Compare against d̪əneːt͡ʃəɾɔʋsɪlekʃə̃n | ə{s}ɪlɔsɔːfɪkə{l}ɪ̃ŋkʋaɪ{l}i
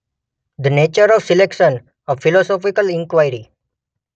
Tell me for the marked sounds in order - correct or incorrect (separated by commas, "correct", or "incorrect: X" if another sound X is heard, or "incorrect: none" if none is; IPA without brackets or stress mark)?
incorrect: f, correct, incorrect: ɾ